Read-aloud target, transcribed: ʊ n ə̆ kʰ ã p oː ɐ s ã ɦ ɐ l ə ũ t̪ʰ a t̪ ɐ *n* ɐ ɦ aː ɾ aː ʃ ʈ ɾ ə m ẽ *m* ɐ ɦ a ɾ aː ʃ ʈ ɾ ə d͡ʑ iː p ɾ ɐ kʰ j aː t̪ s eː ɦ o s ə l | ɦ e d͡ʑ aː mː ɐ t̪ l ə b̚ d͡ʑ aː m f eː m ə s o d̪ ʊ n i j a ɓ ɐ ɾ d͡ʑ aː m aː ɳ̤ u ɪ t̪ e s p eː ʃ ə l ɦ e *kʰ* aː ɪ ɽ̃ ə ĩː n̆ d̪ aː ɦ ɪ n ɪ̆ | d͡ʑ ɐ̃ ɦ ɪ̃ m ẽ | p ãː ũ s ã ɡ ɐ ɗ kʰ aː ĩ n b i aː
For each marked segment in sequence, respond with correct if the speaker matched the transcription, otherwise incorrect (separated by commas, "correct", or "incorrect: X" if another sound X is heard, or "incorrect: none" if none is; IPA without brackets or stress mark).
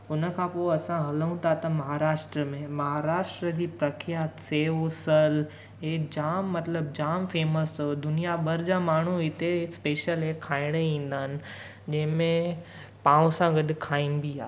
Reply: incorrect: m, correct, correct